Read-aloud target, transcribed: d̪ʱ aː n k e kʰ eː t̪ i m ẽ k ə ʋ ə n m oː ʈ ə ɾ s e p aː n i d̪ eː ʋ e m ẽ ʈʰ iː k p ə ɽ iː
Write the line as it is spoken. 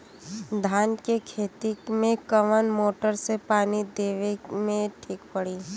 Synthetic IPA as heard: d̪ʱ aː n k e kʰ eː t̪ i m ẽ k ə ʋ ə n m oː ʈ ə ɾ s e p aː n i d̪ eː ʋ e m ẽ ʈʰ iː k p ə ɽ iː